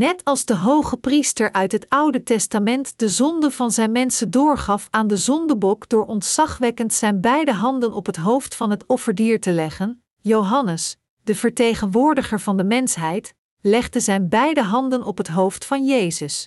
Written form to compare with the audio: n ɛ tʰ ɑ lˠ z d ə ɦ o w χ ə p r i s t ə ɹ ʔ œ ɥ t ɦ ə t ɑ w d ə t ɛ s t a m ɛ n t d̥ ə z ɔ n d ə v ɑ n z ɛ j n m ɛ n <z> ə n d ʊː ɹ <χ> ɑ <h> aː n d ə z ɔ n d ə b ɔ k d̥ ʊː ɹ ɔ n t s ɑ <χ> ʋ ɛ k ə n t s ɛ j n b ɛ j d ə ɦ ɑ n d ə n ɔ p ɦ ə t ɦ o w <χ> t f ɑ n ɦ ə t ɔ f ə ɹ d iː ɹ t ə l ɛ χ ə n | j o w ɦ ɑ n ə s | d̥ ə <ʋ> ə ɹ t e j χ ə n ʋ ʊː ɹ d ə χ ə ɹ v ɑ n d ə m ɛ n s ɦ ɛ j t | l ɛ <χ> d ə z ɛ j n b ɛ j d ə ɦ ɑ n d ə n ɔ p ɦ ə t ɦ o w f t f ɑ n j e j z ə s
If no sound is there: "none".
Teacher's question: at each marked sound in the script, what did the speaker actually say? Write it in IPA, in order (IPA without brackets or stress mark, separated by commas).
s, χ, f, χ, f, v, χ